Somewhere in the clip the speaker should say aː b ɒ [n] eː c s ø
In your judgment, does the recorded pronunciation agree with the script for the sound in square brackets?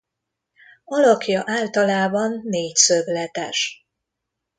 no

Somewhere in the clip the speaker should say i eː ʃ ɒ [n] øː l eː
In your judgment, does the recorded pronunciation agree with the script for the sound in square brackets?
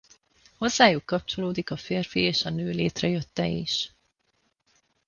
yes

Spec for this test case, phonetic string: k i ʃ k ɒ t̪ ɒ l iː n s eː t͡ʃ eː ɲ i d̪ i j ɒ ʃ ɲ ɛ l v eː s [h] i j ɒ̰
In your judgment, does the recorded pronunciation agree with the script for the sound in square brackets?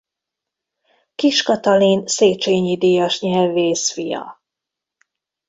no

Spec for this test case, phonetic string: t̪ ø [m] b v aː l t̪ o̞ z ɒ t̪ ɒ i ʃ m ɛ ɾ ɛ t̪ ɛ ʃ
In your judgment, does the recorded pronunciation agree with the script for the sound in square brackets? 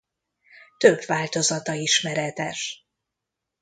no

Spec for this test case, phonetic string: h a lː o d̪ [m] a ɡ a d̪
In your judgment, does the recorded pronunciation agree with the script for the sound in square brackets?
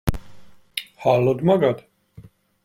yes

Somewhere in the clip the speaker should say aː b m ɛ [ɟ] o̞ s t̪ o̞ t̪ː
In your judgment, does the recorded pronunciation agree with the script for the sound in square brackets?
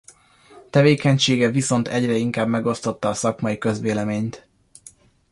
no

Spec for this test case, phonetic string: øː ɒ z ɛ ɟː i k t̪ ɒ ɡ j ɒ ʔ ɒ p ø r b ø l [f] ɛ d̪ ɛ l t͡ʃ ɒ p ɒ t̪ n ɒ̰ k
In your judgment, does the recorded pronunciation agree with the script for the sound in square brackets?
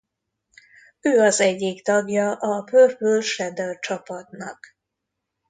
no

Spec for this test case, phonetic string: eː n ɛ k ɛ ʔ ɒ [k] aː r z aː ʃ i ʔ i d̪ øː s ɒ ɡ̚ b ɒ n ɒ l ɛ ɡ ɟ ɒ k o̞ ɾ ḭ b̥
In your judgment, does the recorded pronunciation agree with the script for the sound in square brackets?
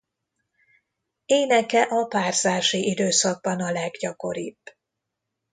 no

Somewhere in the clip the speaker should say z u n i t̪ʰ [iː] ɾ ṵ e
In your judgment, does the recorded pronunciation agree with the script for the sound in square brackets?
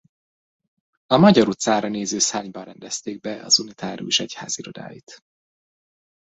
no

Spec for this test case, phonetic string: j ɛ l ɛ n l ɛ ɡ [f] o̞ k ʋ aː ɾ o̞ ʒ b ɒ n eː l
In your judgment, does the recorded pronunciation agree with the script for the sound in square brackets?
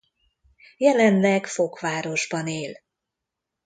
yes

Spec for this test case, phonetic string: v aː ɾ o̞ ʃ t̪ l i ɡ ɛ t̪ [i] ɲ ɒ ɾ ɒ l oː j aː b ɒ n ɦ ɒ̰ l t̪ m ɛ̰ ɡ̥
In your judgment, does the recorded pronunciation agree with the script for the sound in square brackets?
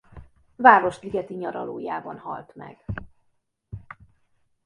yes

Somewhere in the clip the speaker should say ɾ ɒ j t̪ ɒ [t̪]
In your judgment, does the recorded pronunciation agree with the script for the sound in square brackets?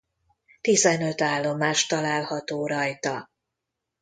no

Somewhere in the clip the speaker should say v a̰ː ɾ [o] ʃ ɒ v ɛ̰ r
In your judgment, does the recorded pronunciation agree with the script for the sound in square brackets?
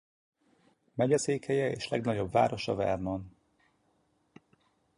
yes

